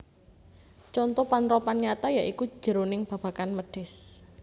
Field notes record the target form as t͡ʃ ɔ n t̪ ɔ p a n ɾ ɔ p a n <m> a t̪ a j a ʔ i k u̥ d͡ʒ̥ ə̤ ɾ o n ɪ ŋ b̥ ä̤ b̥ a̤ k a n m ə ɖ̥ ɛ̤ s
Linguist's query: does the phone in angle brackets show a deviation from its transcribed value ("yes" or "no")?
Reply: yes